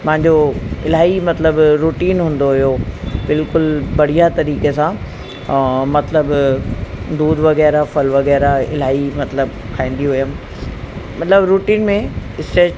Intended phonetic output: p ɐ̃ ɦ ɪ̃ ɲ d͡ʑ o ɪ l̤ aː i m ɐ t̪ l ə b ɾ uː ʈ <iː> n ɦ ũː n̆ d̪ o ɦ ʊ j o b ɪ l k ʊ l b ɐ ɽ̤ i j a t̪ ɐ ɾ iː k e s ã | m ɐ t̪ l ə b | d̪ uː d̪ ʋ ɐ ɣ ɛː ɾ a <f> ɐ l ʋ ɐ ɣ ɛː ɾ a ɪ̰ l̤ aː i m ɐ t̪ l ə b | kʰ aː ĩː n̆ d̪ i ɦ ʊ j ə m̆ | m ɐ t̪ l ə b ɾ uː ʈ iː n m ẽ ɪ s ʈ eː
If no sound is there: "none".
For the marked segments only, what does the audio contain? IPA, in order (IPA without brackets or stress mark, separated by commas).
iː, f